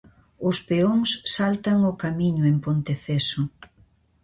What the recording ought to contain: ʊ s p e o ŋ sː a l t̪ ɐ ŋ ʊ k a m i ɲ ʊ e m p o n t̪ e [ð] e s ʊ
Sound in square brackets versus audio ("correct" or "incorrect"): incorrect